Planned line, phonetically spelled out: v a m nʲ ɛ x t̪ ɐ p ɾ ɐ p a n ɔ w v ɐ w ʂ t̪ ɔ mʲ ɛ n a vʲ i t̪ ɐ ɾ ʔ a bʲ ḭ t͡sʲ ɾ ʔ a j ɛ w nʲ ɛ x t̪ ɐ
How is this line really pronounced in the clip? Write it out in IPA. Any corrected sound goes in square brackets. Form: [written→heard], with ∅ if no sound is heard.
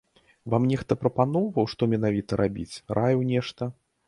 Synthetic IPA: v a m nʲ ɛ x t̪ ɐ p ɾ ɐ p a n ɔ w v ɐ w ʂ t̪ ɔ mʲ ɛ n a vʲ i t̪ ɐ ɾ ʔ a bʲ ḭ t͡sʲ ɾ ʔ a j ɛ w nʲ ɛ [x→ʂ] t̪ ɐ